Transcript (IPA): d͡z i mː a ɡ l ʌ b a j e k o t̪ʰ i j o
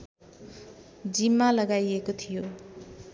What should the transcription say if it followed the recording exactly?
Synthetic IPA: d͡z i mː a l ʌ ɡ a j e k o t̪ʰ i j o